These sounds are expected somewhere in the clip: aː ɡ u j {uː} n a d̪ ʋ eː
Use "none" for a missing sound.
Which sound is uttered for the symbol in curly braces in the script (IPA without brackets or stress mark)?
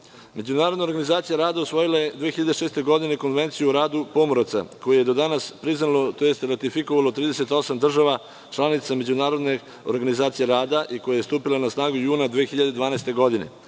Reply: uː